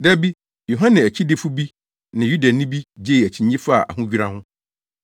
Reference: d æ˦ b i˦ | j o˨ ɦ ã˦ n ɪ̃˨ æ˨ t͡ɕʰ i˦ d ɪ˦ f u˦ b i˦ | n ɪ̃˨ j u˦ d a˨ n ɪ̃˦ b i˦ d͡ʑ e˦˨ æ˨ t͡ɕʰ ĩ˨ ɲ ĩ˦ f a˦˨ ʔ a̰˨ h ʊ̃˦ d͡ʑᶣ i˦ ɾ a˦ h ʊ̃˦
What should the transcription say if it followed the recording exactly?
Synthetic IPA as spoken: d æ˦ b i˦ | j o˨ ɦ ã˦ n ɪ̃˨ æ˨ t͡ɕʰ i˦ d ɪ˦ f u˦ b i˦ | n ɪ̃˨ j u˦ d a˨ n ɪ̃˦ b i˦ d͡ʑ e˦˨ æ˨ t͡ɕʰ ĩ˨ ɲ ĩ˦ f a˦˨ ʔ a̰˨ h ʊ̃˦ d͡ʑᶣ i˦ ɾ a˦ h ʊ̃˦